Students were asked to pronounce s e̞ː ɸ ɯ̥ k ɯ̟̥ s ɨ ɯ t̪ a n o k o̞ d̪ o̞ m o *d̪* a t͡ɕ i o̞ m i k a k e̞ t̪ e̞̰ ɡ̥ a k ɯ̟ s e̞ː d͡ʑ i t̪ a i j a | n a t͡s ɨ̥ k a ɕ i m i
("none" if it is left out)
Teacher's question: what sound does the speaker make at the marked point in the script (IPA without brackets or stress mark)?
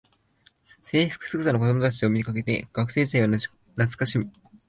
t̪